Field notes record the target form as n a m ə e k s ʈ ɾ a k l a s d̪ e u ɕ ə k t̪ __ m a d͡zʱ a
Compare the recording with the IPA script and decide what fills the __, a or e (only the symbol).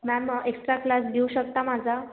a